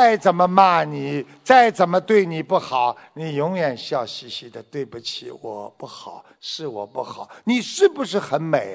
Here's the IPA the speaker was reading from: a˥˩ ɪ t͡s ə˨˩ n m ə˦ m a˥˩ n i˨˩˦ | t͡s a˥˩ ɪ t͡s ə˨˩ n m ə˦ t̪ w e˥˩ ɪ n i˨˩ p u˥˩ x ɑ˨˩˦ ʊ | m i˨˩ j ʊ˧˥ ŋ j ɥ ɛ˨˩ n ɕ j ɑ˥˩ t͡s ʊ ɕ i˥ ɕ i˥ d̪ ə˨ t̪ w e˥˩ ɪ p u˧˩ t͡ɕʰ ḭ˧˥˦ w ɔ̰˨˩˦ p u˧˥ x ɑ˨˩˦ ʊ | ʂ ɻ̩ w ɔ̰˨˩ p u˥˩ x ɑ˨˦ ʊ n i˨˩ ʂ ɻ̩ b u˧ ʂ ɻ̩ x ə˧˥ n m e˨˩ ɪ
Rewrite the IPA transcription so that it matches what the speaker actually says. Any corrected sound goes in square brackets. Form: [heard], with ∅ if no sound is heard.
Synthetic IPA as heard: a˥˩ ɪ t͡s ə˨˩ n m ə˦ m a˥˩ n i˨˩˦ | t͡s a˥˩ ɪ t͡s ə˨˩ n m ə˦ t̪ w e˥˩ ɪ n i˨˩ p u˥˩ x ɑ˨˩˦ ʊ | [n] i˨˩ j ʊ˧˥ ŋ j ɥ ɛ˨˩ n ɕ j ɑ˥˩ [∅] ʊ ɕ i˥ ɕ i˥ d̪ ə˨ t̪ w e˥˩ ɪ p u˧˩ t͡ɕʰ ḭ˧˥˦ w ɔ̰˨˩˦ p [u˥˩] x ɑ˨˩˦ ʊ | ʂ ɻ̩ w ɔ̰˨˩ p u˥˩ x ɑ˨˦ ʊ n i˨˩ ʂ ɻ̩ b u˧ ʂ ɻ̩ x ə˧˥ n m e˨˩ ɪ